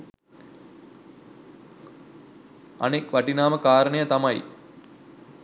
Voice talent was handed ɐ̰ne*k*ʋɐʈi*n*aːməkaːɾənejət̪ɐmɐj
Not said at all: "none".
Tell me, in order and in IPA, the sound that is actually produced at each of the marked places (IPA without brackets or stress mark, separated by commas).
k, n